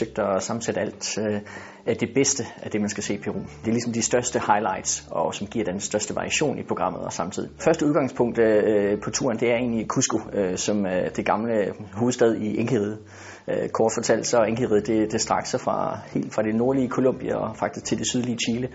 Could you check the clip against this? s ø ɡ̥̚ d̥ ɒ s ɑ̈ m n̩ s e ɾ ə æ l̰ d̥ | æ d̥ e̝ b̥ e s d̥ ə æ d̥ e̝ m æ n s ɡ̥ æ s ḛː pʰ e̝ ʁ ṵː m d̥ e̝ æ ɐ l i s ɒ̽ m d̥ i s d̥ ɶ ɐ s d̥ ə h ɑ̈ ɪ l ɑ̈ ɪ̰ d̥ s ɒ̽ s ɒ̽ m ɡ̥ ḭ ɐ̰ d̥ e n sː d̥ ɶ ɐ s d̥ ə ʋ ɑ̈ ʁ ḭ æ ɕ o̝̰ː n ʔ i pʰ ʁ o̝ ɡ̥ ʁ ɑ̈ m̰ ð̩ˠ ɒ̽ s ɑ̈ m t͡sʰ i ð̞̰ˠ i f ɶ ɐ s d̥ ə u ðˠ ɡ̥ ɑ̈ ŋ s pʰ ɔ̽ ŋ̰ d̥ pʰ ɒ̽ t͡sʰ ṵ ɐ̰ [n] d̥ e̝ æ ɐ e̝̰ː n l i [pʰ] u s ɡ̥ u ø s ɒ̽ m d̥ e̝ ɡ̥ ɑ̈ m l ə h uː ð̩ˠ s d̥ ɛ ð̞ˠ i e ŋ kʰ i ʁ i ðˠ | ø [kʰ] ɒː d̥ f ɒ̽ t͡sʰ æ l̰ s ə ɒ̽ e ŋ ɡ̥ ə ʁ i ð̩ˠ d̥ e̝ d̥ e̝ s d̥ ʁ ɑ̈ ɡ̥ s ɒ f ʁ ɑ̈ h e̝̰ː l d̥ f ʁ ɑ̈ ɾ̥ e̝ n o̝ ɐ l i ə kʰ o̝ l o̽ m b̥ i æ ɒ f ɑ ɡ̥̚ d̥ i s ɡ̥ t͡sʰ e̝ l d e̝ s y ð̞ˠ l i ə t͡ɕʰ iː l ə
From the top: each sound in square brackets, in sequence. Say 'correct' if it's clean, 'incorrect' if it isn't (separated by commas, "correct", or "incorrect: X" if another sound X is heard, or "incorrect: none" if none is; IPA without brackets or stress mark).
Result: correct, incorrect: kʰ, correct